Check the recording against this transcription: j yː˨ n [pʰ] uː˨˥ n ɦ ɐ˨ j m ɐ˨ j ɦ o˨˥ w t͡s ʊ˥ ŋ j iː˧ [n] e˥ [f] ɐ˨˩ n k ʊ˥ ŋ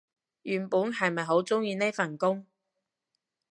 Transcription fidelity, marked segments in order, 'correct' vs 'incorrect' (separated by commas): incorrect, correct, correct